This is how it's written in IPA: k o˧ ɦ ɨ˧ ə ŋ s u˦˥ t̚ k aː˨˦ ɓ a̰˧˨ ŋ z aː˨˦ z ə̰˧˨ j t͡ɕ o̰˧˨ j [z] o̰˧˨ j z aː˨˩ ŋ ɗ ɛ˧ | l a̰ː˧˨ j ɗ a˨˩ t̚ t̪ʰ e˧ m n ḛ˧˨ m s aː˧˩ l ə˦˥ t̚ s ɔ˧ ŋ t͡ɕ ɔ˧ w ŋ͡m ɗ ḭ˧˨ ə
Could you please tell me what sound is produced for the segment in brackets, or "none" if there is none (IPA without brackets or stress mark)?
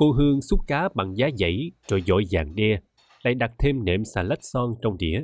z